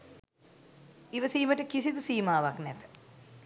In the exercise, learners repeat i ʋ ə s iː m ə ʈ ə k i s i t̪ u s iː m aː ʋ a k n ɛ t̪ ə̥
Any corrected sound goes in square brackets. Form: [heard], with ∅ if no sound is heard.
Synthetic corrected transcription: i ʋ ə s iː m ə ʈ ə k i s i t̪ u s iː m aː ʋ a k n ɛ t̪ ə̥

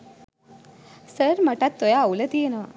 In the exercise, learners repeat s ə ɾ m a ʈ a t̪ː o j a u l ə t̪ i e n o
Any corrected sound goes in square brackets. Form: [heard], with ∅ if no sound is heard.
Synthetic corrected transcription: s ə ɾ m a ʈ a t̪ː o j a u l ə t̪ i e n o

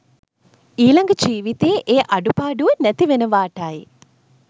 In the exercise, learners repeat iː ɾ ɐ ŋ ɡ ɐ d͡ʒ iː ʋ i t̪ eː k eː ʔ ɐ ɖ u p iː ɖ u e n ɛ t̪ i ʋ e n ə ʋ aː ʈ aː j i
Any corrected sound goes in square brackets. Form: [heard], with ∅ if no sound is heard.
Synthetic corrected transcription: iː [l] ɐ ŋ ɡ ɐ d͡ʒ iː ʋ i t̪ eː [ʔ] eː ʔ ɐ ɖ u p [aː] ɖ u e n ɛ t̪ i ʋ e n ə ʋ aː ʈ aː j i

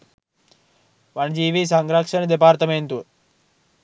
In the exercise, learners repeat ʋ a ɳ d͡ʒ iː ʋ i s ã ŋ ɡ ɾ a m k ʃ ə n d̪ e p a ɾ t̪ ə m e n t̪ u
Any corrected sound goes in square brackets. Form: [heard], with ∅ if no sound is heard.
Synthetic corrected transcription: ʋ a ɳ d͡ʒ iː ʋ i s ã ŋ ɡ ɾ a [∅] k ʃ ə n d̪ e p a ɾ t̪ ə m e n t̪ u

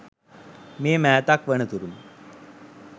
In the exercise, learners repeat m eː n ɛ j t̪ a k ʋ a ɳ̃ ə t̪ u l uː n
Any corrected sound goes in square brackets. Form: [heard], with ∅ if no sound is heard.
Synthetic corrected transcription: m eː [m] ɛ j t̪ a k ʋ [ə] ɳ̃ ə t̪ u [ɾ] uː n

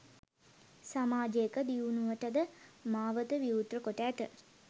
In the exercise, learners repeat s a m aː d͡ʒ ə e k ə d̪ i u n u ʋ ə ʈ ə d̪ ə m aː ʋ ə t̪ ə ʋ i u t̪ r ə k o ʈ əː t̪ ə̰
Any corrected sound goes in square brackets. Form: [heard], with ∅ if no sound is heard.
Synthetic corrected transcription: s a m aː d͡ʒ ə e k ə d̪ i u n u ʋ ə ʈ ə d̪ ə m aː ʋ ə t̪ ə ʋ i u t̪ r ə k o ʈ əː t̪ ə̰

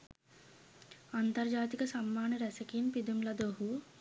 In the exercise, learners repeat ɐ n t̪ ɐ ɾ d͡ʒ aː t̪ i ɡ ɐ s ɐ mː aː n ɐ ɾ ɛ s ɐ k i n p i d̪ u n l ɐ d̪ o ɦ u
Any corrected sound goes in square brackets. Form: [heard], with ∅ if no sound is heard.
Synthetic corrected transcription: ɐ n t̪ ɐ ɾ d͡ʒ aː t̪ i [k] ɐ s ɐ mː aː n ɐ ɾ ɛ s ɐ k i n p i d̪ u [m] l ɐ d̪ o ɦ u

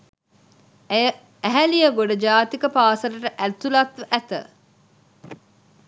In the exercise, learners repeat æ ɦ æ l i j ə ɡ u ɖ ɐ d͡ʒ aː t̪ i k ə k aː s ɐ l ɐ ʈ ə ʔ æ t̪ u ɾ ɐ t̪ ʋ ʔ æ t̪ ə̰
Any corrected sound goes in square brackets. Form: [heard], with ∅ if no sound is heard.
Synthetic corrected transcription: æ ɦ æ l i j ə ɡ [o] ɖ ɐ d͡ʒ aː t̪ i k ə [p] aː s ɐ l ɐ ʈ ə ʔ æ t̪ u [l] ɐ t̪ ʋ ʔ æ t̪ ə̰

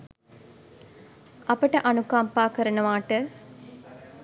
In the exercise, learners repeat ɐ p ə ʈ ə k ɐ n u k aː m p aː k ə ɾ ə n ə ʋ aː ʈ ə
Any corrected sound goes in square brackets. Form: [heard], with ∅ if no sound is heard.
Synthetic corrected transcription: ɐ p ə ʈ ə [ʔ] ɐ n u k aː m p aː k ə ɾ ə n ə ʋ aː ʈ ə

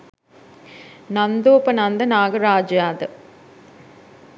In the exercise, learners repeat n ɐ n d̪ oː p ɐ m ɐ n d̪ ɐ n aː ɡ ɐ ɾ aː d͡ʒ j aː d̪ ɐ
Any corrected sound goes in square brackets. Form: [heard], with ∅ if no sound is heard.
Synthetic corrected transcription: n ɐ n d̪ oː p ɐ [n] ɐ n d̪ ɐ n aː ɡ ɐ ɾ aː d͡ʒ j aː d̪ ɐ

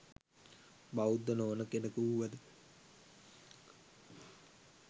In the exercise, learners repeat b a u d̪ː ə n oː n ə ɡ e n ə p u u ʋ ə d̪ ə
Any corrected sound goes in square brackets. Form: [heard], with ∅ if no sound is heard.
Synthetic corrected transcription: b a u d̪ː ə n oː n ə [k] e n ə [k] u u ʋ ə d̪ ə

